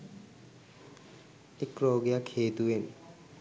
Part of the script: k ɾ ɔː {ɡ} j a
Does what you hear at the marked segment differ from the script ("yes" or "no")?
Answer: no